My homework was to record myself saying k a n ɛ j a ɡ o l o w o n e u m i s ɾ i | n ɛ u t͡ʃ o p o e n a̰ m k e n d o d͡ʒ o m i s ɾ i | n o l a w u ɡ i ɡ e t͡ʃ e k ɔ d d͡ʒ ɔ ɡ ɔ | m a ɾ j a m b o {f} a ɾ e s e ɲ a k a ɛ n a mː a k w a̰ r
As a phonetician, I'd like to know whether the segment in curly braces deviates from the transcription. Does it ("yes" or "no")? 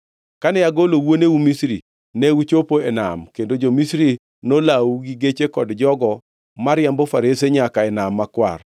no